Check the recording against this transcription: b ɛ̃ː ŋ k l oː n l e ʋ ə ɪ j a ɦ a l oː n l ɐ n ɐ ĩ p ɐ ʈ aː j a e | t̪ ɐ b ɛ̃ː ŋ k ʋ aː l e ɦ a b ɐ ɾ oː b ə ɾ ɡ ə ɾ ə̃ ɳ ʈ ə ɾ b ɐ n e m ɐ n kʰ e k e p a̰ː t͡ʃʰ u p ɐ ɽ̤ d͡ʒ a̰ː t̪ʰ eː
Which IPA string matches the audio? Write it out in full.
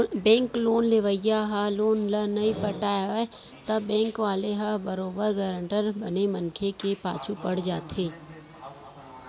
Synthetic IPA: b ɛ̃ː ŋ k l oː n l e ʋ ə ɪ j a ɦ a l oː n l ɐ n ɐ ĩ p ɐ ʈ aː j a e | t̪ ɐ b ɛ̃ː ŋ k ʋ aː l e ɦ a b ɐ ɾ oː b ə ɾ ɡ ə ɾ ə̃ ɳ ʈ ə ɾ b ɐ n e m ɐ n kʰ e k e p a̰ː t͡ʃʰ u p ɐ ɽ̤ d͡ʒ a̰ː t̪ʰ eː